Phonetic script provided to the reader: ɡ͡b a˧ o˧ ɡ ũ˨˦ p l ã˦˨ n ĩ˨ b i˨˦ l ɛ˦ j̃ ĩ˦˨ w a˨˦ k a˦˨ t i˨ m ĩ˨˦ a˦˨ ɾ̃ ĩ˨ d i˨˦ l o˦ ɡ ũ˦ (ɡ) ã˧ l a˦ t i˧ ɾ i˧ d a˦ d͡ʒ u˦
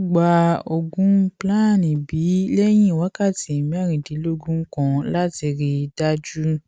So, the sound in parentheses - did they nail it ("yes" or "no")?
no